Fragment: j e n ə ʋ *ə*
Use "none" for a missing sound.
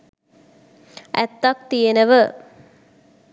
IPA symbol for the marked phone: ə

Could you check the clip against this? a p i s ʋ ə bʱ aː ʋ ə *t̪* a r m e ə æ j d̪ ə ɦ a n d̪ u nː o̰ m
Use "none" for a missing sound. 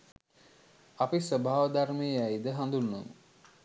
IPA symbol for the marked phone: d̪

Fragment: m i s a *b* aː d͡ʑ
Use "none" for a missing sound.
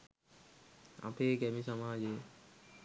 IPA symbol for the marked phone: m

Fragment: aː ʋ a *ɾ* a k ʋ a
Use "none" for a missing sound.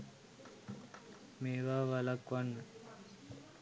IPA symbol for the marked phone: l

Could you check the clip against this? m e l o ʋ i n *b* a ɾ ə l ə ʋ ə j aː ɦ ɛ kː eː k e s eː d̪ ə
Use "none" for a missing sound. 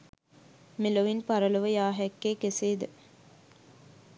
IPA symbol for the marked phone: p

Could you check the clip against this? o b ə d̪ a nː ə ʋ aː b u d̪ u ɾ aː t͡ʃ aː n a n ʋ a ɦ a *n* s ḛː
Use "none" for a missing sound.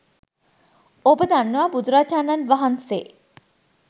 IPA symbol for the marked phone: n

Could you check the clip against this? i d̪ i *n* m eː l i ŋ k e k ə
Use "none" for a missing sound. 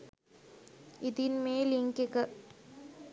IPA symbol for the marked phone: n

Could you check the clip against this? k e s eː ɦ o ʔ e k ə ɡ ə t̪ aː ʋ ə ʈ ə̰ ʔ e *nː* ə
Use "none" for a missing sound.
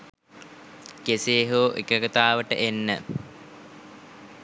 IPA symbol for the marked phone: nː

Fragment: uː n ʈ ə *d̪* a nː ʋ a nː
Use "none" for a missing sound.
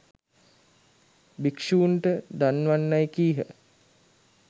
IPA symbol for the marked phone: d̪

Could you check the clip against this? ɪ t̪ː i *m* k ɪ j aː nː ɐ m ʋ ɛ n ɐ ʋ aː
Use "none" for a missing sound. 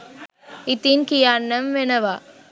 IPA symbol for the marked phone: n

